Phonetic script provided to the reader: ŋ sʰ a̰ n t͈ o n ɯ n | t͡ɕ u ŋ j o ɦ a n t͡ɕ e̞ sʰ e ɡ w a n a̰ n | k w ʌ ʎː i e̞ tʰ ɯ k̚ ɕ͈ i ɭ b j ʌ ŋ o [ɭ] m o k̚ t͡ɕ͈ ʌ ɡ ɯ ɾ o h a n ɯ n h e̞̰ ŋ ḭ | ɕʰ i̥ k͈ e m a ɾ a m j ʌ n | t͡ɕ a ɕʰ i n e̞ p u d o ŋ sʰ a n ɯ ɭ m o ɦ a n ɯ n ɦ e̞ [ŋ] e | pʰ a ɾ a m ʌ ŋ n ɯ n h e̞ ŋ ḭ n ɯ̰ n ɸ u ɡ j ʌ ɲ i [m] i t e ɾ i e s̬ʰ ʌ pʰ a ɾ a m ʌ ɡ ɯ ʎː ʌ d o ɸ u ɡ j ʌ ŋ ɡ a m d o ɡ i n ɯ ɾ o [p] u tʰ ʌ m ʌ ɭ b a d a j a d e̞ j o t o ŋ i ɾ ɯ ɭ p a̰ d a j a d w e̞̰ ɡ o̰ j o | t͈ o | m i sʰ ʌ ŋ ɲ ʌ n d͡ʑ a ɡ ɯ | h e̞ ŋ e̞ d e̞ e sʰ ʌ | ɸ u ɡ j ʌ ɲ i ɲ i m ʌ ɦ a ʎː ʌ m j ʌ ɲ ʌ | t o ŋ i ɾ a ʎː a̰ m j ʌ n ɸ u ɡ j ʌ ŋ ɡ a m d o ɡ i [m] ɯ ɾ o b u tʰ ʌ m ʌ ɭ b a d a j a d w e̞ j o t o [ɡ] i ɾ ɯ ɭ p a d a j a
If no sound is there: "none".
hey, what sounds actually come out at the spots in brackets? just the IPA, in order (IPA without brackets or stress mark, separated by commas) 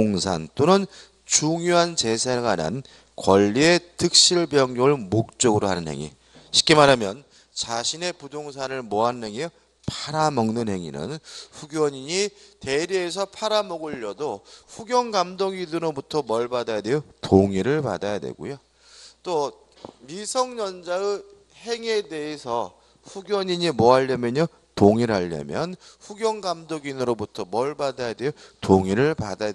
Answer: ɭ, ŋ, ɲ, b, n, ŋ